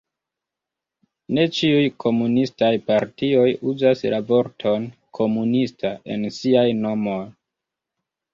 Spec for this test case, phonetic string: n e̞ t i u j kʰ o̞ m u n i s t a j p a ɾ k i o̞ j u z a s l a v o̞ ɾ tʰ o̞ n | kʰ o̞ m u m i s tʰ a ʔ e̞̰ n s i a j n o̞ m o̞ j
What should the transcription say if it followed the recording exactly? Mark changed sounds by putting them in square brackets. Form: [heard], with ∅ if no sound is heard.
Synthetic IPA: n e̞ [t͡ʃ] i u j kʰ o̞ m u n i s t a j p a ɾ [t] i o̞ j u z a s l a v o̞ ɾ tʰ o̞ n | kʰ o̞ m u [n] i s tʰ a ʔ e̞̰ n s i a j n o̞ m o̞ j

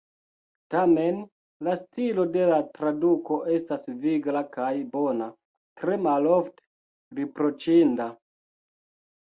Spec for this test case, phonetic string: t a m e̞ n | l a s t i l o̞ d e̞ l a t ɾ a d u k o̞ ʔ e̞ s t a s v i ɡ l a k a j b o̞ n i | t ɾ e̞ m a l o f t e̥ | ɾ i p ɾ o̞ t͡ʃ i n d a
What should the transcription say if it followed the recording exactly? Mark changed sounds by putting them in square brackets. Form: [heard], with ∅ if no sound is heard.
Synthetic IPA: t a m e̞ n | l a s t i l o̞ d e̞ l a t ɾ a d u k o̞ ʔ e̞ s t a s v i ɡ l a k a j b o̞ n [a] | t ɾ e̞ m a l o f t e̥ | ɾ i p ɾ o̞ t͡ʃ i n d a

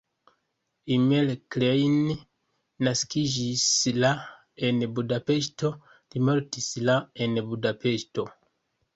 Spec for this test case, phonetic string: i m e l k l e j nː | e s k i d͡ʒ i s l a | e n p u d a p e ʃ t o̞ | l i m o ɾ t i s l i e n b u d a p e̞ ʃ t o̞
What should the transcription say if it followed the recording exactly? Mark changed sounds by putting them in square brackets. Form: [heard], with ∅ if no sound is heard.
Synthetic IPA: i m e l k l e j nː | [a] s k i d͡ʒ i s l a | e n [b] u d a p e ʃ t o̞ | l i m o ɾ t i s l [a] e n b u d a p e̞ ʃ t o̞

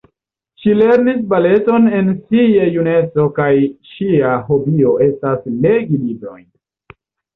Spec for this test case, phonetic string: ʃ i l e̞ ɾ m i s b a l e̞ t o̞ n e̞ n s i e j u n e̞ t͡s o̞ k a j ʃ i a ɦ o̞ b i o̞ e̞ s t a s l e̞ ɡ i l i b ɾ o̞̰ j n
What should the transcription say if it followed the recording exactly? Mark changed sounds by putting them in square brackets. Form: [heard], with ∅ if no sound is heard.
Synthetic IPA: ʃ i l e̞ ɾ [n] i s b a l e̞ t o̞ n e̞ n s i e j u n e̞ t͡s o̞ k a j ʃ i a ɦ o̞ b i o̞ e̞ s t a s l e̞ ɡ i l i b ɾ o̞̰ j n

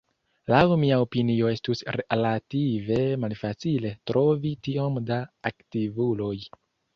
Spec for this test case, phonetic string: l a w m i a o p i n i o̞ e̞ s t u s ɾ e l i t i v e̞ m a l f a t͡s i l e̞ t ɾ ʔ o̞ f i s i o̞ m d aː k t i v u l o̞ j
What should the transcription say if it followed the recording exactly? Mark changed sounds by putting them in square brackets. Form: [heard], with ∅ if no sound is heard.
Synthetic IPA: l a w m i a o p i n i o̞ e̞ s t u s ɾ e l [a] t i v e̞ m a l f a t͡s i l e̞ t ɾ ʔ o̞ [v] i [t] i o̞ m d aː k t i v u l o̞ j

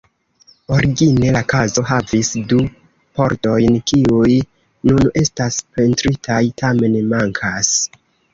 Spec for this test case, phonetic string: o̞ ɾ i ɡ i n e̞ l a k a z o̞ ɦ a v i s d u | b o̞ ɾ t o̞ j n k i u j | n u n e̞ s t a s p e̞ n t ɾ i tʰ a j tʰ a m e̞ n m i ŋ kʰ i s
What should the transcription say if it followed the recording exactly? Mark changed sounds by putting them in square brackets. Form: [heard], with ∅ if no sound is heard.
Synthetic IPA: o̞ ɾ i ɡ i n e̞ l a k a z o̞ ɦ a v i s d u | [p] o̞ ɾ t o̞ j n k i u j | n u n e̞ s t a s p e̞ n t ɾ i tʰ a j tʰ a m e̞ n m [a] ŋ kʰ [a] s

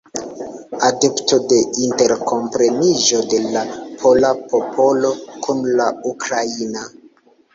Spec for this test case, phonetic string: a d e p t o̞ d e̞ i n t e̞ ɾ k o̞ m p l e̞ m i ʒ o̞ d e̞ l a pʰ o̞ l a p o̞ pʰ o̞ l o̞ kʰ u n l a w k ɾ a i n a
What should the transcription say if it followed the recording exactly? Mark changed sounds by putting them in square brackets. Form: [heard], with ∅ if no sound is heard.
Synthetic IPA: a d e p t o̞ d e̞ i n t e̞ ɾ k o̞ m p [ɾ] e̞ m i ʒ o̞ d e̞ l a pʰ o̞ l a p o̞ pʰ o̞ l o̞ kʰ u n l a [u] k ɾ a i n a

